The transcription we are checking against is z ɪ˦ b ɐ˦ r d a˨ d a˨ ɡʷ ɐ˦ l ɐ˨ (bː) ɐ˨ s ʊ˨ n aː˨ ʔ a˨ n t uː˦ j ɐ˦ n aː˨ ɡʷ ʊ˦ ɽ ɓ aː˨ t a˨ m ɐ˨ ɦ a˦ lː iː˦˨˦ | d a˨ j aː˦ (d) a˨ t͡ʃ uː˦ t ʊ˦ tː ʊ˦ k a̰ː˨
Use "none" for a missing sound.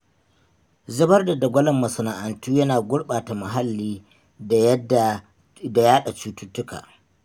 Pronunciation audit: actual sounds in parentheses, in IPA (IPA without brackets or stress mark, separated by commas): mː, ɗ